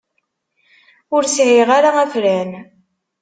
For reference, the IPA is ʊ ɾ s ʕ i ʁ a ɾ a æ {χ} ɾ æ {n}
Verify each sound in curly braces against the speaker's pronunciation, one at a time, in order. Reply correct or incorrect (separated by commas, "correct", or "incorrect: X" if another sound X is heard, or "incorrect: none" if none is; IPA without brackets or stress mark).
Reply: incorrect: f, correct